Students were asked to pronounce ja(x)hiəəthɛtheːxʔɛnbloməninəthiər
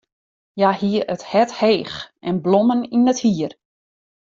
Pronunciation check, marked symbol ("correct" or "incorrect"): incorrect